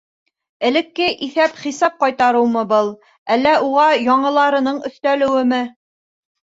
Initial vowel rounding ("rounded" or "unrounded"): unrounded